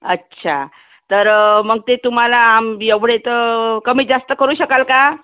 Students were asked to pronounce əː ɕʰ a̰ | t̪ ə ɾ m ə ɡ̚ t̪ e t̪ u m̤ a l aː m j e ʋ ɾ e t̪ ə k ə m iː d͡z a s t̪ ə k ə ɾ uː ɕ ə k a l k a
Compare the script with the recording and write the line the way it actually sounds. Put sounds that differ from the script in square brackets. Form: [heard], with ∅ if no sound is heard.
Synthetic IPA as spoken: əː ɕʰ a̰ | t̪ ə ɾ m ə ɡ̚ t̪ e t̪ u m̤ a l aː m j e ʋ [ɽ] e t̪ ə k ə m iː d͡z a s t̪ ə k ə ɾ uː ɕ ə k a l k a